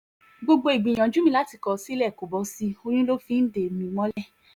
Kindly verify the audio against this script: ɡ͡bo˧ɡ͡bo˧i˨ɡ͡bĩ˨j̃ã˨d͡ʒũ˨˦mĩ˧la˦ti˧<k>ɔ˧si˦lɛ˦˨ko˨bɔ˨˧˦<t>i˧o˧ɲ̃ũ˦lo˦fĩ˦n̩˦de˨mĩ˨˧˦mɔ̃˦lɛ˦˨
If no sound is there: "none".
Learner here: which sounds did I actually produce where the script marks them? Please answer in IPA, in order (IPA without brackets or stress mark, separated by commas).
k, s